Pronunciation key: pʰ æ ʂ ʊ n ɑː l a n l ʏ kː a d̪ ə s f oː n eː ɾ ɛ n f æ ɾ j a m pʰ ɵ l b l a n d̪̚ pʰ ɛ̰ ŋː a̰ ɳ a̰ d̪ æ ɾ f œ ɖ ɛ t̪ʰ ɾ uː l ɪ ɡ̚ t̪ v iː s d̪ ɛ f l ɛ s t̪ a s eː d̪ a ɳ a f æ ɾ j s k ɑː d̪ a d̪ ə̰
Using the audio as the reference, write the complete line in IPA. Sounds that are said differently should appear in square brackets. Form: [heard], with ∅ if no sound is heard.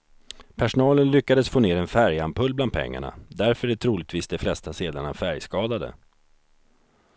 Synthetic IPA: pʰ æ ʂ ʊ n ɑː l [ə] n l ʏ kː a d̪ ə s f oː n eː ɾ ɛ n f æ ɾ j a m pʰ ɵ l b l a n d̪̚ pʰ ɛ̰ ŋː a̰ ɳ a̰ d̪ æ ɾ f œ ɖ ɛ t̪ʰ ɾ uː l ɪ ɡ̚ t̪ v iː s d̪ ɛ f l ɛ s t̪ a s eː d̪ a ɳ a f æ ɾ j s k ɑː d̪ a d̪ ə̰

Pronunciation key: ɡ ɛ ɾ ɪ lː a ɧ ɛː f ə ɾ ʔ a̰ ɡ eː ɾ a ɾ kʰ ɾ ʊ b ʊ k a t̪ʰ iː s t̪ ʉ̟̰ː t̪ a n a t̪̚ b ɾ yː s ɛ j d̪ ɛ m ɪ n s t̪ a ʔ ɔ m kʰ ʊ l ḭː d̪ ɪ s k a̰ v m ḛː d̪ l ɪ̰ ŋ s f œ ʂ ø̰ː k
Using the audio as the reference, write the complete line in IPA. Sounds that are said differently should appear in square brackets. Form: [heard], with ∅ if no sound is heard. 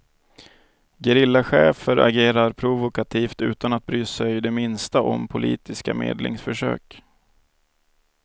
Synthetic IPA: ɡ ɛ ɾ ɪ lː a ɧ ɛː f ə ɾ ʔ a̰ ɡ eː ɾ a ɾ [pʰ] ɾ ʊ [v] ʊ k a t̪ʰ iː [f] t̪ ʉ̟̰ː t̪ a n a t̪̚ b ɾ yː s ɛ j d̪ ɛ m ɪ n s t̪ a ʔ ɔ m [pʰ] ʊ l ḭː [t̪] ɪ s k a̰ [∅] m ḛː d̪ l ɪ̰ ŋ s f œ ʂ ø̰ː k

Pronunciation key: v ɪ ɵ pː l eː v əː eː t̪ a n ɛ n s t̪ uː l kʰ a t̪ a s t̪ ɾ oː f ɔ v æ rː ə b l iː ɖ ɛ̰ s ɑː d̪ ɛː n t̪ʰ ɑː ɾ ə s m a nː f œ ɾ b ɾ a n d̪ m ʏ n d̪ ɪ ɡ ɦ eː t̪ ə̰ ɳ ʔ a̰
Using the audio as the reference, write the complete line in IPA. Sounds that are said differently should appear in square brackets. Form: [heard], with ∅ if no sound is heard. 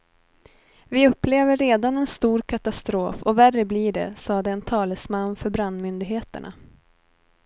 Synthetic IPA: v ɪ ɵ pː l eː v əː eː [d̪] a n ɛ n s t̪ uː [ɾ] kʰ a t̪ a s t̪ ɾ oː f ɔ v æ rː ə b l iː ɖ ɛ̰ s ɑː d̪ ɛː n t̪ʰ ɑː [l] ə s m a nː f œ ɾ b ɾ a n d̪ m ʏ n d̪ ɪ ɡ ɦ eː t̪ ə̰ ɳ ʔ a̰

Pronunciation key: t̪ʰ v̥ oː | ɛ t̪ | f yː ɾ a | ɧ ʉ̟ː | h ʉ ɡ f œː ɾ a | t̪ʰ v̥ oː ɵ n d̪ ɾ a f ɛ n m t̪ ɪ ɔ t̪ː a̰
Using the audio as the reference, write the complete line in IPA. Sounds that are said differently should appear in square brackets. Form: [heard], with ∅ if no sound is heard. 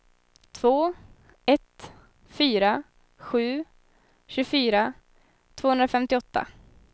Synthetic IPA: t̪ʰ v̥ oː | ɛ t̪ | f yː ɾ a | ɧ ʉ̟ː | [ɕ] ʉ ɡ f [yː] ɾ a | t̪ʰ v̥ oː ɵ n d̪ ɾ a f ɛ [∅] m t̪ ɪ ɔ t̪ː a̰

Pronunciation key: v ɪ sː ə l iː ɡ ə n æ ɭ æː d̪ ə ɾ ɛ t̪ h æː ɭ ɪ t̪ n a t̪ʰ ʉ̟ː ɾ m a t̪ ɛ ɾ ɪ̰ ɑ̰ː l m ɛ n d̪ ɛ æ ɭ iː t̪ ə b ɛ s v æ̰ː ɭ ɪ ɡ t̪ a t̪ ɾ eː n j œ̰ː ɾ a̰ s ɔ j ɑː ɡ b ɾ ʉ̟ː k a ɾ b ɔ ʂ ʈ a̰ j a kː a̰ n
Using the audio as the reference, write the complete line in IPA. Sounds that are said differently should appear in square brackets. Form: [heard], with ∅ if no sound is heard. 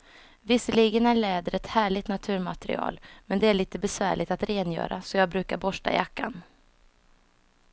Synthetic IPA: v ɪ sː ə l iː ɡ ə n æ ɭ [ɛː] d̪ ə ɾ ɛ t̪ h æː ɭ ɪ t̪ n a t̪ʰ ʉ̟ː ɾ m a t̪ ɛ ɾ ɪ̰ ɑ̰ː l m ɛ n d̪ ɛ æ ɭ iː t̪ ə b ɛ s v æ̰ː ɭ ɪ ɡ t̪ a t̪ ɾ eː n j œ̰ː ɾ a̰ s ɔ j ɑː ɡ b ɾ ʉ̟ː k a ɾ b ɔ ʂ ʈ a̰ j a kː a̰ n

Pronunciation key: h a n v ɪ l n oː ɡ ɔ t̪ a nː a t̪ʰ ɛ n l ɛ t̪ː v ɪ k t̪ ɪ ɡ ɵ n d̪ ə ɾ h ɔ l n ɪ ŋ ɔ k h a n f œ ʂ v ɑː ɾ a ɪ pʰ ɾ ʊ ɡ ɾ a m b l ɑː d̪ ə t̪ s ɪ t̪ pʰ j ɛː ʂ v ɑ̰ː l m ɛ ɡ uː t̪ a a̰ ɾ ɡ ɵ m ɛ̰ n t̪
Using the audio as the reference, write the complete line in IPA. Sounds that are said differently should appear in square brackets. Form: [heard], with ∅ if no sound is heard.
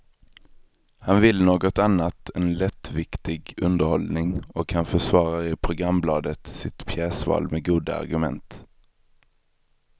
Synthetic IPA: h a n v ɪ l n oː ɡ ɔ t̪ a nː a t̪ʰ ɛ n l ɛ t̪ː v ɪ k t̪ ɪ ɡ ɵ n d̪ ə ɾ h ɔ l n ɪ ŋ ɔ k h a n f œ ʂ v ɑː ɾ a ɪ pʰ ɾ ʊ ɡ ɾ a m b l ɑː d̪ ə t̪ s ɪ t̪ pʰ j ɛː [s] v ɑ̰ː l m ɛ ɡ uː [d̪] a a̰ ɾ ɡ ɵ m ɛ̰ n t̪

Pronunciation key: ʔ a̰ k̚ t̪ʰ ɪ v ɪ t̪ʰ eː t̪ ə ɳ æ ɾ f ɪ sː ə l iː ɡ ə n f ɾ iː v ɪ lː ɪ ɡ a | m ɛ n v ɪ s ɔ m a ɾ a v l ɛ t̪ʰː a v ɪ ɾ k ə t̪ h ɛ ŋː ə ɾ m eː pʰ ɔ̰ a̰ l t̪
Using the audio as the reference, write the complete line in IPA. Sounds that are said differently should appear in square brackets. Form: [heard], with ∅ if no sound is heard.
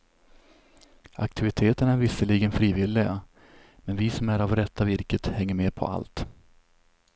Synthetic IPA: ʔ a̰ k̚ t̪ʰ ɪ v ɪ t̪ʰ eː t̪ ə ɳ æ ɾ [v] ɪ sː ə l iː ɡ ə n f ɾ iː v ɪ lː ɪ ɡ a | m ɛ n v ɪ s ɔ m [æ] ɾ a v [ɾ] ɛ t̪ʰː a v ɪ ɾ k ə t̪ h ɛ ŋː ə ɾ m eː pʰ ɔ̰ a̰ l t̪

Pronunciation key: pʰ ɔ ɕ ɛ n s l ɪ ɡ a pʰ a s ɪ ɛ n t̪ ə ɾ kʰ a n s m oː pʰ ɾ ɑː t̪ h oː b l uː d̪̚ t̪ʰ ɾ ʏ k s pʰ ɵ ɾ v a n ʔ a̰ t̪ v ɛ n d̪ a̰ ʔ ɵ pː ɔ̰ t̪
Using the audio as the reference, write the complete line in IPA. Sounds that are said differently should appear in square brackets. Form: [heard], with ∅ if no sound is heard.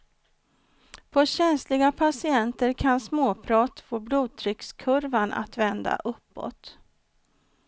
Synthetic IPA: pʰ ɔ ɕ ɛ n s l ɪ ɡ a pʰ a s ɪ ɛ n t̪ ə ɾ kʰ a n s m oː pʰ ɾ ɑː t̪ [f] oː b l uː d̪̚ t̪ʰ ɾ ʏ k s [kʰ] ɵ ɾ v a n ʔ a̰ t̪ v ɛ n d̪ a̰ ʔ ɵ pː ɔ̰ t̪

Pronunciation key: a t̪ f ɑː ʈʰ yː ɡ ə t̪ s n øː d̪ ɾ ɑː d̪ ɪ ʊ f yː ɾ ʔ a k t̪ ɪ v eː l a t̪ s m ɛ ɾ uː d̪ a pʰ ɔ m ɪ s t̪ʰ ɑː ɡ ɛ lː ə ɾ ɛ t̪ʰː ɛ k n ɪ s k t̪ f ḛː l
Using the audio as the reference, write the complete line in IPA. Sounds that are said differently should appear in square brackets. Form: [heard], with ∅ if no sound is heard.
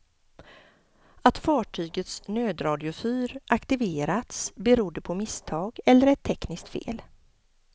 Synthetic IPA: a t̪ f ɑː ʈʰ yː ɡ ə t̪ s n øː d̪ ɾ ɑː d̪ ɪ ʊ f yː ɾ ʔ a k t̪ ɪ v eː [ɾ] a t̪ s [b] ɛ ɾ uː d̪ [ə] pʰ ɔ m ɪ s t̪ʰ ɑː ɡ ɛ lː ə ɾ ɛ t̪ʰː ɛ k n ɪ s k t̪ f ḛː l

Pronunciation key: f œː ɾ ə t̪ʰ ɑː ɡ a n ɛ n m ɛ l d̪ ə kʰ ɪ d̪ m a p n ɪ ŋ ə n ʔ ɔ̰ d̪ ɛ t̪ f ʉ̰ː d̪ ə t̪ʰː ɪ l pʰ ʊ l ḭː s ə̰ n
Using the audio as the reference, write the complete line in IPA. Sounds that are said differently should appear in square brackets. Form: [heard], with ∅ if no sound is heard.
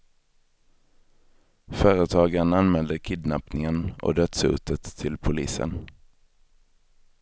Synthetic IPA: f œː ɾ ə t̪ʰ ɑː ɡ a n [a] n m ɛ l d̪ ə kʰ ɪ d̪ [n] a p n ɪ ŋ ə n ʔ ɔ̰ d̪ [œ] t̪ [s] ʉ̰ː [t̪] ə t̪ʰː ɪ l pʰ ʊ l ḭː s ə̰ n

